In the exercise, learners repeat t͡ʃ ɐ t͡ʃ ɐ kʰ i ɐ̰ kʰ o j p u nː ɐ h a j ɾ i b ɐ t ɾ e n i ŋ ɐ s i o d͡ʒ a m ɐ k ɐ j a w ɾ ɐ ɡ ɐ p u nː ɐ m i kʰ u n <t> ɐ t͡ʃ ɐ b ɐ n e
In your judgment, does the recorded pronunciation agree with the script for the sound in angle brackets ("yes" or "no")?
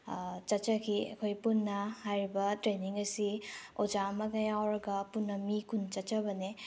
no